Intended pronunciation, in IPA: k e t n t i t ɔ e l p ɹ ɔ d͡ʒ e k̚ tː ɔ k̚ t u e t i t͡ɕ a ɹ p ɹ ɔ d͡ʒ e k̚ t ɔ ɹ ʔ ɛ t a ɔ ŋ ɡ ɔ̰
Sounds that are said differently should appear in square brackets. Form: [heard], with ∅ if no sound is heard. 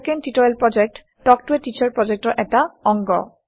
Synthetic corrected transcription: k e [∅] n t i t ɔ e l p ɹ ɔ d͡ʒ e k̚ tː ɔ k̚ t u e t i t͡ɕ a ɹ p ɹ ɔ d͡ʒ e k̚ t ɔ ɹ ʔ ɛ t a ɔ ŋ ɡ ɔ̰